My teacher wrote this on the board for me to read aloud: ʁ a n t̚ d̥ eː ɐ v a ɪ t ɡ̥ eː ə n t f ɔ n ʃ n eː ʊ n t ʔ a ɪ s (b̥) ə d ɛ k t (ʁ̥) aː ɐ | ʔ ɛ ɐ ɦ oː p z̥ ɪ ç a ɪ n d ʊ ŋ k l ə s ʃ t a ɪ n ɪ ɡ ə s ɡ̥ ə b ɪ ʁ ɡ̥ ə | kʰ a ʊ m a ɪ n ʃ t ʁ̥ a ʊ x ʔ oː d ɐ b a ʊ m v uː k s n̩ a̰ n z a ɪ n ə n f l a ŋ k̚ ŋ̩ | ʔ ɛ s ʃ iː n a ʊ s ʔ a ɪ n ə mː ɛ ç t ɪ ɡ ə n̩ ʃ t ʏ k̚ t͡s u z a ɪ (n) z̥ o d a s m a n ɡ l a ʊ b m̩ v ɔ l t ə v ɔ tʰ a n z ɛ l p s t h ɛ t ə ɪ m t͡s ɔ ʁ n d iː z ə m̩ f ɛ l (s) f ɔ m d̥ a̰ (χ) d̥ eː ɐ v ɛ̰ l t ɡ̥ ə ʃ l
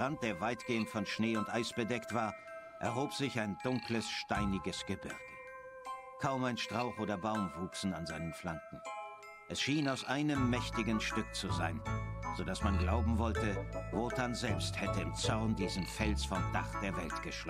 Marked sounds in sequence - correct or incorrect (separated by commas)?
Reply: correct, incorrect, correct, correct, correct